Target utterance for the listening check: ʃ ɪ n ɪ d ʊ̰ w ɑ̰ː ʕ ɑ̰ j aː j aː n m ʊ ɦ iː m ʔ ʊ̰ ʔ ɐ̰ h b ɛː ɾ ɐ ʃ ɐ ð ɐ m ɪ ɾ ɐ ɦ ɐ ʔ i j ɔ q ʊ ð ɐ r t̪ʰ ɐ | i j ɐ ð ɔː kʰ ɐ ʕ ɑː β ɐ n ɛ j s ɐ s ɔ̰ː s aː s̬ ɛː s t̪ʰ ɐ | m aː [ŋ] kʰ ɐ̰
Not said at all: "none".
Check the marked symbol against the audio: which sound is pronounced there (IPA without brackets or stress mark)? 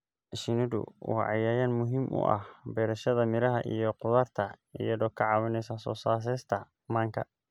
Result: ŋ